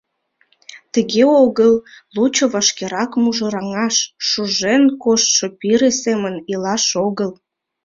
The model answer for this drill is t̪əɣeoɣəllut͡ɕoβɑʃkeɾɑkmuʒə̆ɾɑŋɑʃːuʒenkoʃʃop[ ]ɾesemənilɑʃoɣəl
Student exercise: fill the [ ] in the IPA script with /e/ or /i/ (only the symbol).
i